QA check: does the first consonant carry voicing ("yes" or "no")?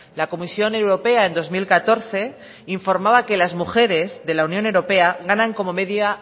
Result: yes